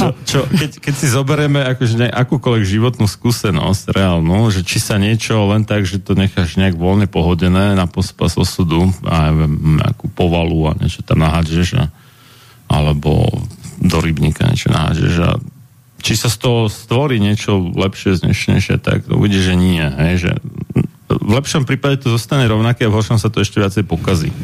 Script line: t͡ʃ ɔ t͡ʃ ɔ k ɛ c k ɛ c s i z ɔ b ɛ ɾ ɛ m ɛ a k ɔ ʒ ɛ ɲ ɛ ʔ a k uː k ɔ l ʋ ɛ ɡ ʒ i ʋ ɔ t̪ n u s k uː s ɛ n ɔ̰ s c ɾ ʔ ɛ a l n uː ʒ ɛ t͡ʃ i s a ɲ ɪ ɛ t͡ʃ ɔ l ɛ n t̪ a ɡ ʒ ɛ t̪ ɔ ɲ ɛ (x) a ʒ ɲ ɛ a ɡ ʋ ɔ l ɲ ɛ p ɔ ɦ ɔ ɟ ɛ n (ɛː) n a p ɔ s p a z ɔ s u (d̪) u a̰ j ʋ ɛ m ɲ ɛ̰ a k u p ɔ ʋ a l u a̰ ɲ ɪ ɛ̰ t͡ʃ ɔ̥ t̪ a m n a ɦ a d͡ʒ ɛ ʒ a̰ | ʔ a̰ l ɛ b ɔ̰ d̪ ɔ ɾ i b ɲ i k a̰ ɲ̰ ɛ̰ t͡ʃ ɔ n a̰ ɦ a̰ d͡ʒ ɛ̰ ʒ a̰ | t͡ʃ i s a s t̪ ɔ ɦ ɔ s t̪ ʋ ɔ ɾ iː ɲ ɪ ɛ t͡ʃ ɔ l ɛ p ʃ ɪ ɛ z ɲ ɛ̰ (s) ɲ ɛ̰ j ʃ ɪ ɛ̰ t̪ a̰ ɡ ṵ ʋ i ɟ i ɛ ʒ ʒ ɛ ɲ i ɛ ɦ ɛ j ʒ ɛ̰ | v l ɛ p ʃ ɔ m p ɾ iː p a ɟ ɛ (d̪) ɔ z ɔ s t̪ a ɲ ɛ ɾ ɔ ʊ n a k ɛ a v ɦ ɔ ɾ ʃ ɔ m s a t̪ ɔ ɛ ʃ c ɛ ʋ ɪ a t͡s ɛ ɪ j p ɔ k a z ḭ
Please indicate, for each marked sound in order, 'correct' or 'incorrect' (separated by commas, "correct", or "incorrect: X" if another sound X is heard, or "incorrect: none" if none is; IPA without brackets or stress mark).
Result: correct, correct, correct, incorrect: ʃ, incorrect: t̪